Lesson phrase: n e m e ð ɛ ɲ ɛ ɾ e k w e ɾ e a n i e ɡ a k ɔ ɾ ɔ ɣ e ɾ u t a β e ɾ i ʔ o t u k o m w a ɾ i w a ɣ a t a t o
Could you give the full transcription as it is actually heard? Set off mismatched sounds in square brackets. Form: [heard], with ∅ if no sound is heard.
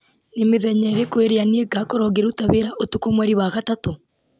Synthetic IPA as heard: n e m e ð ɛ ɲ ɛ ɾ e k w e ɾ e a n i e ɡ a k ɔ ɾ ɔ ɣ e ɾ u t a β e ɾ [a] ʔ o t u k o m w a ɾ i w a ɣ a t a t o